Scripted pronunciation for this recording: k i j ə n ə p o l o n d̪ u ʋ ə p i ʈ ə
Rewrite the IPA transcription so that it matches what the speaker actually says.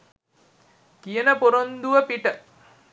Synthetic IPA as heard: k i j ə n ə p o ɾ o n d̪ u ʋ ə p i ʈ ə